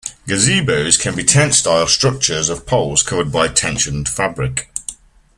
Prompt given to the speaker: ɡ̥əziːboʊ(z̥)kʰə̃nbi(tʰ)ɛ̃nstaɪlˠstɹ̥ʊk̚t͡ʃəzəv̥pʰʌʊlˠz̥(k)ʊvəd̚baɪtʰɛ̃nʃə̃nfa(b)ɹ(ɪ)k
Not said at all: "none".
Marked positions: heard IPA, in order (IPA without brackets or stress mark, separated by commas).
z̥, tʰ, kʰ, b, ɪ